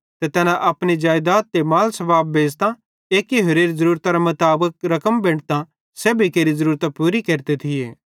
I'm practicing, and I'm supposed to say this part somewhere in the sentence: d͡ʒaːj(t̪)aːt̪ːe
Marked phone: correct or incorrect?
incorrect